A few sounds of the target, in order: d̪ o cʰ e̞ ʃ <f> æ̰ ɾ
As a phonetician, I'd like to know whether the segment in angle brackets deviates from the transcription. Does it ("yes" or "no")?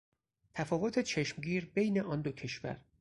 yes